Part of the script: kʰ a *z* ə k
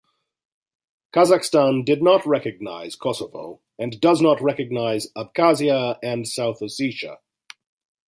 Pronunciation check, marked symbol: correct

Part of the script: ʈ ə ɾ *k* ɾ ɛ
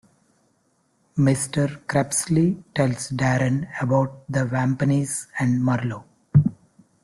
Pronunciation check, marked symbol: correct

